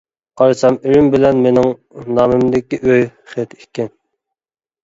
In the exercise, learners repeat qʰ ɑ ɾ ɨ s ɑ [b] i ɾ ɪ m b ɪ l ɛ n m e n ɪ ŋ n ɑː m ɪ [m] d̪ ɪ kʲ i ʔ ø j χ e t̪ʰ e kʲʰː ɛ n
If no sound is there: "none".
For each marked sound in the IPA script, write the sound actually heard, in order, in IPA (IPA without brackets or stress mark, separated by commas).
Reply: m, m